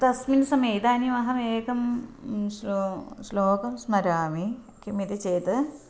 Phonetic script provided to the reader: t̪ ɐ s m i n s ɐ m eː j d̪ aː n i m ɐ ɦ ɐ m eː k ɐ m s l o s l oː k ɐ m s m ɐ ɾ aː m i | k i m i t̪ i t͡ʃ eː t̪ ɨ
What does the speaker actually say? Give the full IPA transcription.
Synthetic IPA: t̪ ɐ s m i n s ɐ m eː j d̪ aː n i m ɐ ɦ ɐ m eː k ɐ m s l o s l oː k ɐ m s m ɐ ɾ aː m i | k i m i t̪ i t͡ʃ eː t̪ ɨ